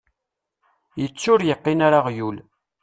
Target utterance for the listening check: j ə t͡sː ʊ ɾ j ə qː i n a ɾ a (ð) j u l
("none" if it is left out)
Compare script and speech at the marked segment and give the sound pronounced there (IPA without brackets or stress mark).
ʁ